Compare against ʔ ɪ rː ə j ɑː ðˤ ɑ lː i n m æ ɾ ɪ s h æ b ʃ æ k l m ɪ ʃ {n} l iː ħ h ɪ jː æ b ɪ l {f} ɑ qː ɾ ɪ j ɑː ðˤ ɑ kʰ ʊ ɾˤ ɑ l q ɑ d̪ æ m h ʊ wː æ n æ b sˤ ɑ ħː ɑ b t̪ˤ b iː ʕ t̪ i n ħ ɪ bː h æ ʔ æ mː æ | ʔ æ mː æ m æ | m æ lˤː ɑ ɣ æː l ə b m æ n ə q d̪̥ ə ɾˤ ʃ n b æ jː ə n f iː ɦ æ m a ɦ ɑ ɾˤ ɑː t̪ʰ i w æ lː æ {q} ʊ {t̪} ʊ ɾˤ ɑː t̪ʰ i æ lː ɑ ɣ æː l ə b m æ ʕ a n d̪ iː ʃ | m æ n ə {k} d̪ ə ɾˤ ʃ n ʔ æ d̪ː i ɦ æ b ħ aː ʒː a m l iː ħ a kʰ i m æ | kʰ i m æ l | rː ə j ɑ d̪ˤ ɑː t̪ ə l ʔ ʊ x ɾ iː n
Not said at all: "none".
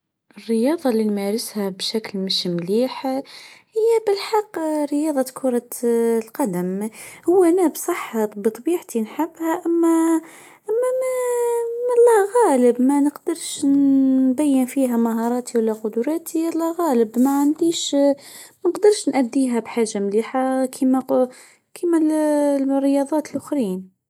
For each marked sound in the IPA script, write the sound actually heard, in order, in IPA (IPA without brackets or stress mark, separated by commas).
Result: m, ħ, q, d̪, q